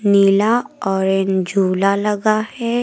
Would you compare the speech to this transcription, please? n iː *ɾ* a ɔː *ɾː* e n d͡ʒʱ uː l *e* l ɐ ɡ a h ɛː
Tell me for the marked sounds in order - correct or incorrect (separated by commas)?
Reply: incorrect, incorrect, incorrect